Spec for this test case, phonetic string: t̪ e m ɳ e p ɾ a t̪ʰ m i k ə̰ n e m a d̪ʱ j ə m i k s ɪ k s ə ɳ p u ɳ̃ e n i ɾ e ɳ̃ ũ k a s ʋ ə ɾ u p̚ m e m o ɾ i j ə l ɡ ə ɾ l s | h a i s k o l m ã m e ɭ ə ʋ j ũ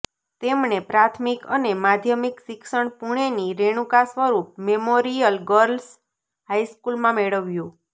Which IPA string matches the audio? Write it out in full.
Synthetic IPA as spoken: t̪ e m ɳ e p ɾ a t̪ʰ m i k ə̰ n e m a d̪ʱ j ə m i k s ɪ k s ə ɳ p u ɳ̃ e n i ɾ e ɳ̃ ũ k a s ʋ ə ɾ u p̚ m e m o ɾ i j ə l ɡ ə ɾ l s | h a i s k u l m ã m e ɭ ə ʋ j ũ